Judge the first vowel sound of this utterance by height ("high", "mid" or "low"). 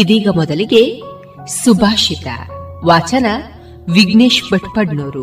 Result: high